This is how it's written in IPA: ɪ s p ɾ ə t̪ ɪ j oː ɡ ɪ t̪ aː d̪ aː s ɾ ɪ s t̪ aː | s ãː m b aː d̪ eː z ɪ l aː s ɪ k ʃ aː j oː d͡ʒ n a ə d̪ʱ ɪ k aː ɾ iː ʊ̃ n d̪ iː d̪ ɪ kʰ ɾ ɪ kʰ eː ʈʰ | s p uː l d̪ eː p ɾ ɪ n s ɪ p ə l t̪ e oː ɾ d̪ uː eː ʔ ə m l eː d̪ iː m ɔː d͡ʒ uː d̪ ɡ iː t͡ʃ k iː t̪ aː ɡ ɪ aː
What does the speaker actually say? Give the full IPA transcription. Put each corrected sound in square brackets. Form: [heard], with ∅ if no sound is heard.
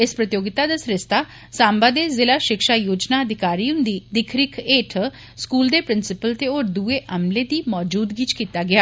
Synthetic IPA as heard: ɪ s p ɾ ə t̪ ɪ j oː ɡ ɪ t̪ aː d̪ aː s ɾ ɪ s t̪ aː | s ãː m b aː d̪ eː z ɪ l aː [ʃ] ɪ k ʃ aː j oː d͡ʒ n a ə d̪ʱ ɪ k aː ɾ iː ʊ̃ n d̪ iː d̪ ɪ kʰ ɾ ɪ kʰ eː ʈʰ | s [k] uː l d̪ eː p ɾ ɪ n s ɪ p ə l t̪ e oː ɾ d̪ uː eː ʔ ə m l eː d̪ iː m ɔː d͡ʒ uː d̪ ɡ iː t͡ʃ k iː t̪ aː ɡ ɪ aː